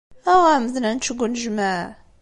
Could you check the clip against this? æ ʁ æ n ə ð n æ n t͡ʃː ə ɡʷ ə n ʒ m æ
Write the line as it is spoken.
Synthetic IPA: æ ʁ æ m ə ð n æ n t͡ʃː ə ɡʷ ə n ʒ m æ